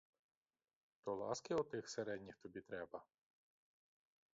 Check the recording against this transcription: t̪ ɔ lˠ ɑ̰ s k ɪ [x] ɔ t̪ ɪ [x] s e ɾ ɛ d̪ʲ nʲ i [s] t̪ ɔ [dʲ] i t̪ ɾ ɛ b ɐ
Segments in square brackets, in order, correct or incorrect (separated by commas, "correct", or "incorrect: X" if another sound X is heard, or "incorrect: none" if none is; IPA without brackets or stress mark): incorrect: none, correct, incorrect: x, incorrect: bʲ